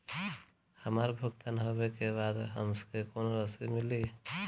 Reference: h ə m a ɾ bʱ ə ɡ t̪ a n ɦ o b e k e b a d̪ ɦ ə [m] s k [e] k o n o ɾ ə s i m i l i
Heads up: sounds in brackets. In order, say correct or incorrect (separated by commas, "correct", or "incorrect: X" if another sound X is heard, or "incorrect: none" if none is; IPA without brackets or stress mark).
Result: correct, correct